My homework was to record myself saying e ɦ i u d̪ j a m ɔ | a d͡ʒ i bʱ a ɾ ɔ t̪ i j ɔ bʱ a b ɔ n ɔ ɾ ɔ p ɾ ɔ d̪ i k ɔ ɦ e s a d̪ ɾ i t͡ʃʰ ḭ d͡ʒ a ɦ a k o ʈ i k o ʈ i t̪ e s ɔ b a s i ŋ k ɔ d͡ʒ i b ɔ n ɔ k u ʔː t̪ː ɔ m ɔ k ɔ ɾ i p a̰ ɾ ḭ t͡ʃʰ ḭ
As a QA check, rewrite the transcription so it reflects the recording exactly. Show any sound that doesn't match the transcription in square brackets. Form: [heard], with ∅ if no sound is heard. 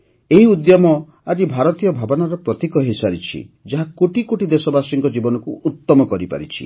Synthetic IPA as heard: e ɦ i u d̪ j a m ɔ | a d͡ʒ i bʱ a ɾ ɔ t̪ i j ɔ bʱ a b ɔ n ɔ ɾ ɔ p ɾ ɔ [t̪] i k ɔ ɦ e s a [∅] ɾ i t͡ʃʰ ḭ d͡ʒ a ɦ a k o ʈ i k o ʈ i [d̪] e s ɔ b a s i ŋ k ɔ d͡ʒ i b ɔ n ɔ k u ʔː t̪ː ɔ m ɔ k ɔ ɾ i p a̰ ɾ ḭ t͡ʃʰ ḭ